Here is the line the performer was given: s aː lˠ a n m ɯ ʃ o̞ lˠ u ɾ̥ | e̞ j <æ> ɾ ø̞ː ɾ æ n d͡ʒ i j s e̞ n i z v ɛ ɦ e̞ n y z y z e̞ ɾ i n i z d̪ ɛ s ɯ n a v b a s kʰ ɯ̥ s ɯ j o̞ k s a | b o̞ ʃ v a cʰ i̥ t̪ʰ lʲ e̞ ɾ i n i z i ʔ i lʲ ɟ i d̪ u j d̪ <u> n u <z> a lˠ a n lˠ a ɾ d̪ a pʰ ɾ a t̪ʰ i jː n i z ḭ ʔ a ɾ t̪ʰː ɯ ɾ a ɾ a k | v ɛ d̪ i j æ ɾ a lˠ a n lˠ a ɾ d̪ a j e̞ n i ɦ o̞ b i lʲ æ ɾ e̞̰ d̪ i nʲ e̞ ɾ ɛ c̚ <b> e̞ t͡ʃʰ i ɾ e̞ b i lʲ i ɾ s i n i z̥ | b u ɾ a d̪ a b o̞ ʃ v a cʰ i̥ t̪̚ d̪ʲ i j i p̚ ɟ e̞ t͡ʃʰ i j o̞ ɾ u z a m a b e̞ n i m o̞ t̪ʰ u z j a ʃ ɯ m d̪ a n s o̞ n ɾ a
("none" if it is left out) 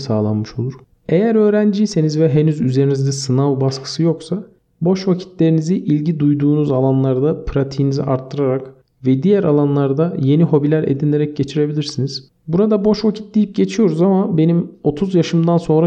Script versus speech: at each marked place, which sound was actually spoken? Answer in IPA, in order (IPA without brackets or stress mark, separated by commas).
æ, uː, z, ɟ